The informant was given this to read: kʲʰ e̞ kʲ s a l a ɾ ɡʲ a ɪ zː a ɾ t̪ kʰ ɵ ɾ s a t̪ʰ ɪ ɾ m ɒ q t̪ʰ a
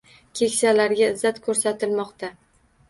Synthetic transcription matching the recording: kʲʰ e̞ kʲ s a l a ɾ ɡʲ a ɪ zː a t̪ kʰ ɵ ɾ s a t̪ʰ ɪ l m ɒ q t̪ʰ a